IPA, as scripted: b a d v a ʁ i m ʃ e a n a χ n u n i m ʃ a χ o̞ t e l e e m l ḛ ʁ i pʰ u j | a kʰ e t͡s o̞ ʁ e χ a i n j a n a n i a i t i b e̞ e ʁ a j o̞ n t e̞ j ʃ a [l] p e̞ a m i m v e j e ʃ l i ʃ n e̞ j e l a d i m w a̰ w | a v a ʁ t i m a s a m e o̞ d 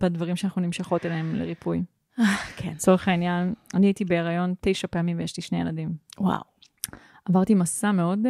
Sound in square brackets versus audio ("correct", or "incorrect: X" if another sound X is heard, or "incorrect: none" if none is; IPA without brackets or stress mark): incorrect: none